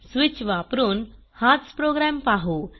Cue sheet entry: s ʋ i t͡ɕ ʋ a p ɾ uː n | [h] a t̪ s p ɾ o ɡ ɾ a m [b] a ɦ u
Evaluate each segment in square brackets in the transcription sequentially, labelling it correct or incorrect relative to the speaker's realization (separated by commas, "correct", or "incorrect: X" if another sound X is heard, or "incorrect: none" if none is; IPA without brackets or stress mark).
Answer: correct, incorrect: p